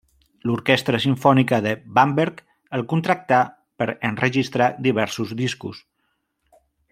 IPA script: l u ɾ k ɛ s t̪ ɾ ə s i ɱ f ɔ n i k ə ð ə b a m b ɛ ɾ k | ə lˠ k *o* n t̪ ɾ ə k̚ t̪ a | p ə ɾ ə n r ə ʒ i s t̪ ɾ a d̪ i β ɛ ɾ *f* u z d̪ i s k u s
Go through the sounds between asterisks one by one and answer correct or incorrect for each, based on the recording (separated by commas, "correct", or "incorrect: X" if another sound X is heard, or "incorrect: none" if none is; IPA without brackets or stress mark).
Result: incorrect: u, incorrect: s